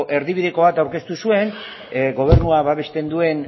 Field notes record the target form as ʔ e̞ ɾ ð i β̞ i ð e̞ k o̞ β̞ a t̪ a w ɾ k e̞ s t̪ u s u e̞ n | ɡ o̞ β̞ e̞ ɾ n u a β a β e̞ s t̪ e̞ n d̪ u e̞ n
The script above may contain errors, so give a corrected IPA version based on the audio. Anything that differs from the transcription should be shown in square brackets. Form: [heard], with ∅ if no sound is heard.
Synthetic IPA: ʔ e̞ ɾ ð i β̞ i ð e̞ k o̞ β̞ a t̪ a w ɾ k e̞ s t̪ u s u e̞ n | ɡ o̞ β̞ e̞ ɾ n u a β a β e̞ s t̪ e̞ n d̪ u e̞ n